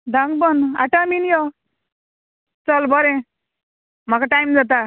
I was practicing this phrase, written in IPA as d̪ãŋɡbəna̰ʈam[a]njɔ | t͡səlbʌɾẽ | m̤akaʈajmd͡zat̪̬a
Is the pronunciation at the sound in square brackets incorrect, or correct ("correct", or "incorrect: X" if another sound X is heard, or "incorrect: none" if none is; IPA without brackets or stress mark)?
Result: incorrect: i